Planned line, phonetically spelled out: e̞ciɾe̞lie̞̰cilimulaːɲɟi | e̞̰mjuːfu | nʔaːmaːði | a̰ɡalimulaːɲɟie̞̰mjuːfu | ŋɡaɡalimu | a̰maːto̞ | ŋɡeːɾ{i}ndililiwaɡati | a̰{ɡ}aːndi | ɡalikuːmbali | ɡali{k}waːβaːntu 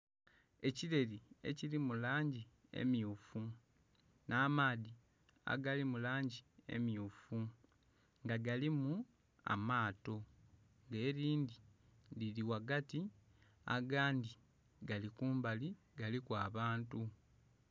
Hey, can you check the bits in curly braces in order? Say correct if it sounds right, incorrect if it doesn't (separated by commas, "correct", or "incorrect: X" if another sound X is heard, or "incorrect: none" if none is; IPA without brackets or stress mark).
incorrect: iː, correct, correct